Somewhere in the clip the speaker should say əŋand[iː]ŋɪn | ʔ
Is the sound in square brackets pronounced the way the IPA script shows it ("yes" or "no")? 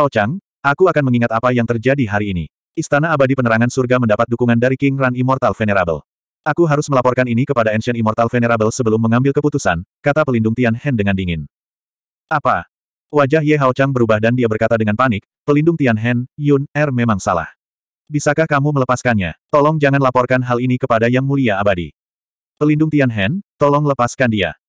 no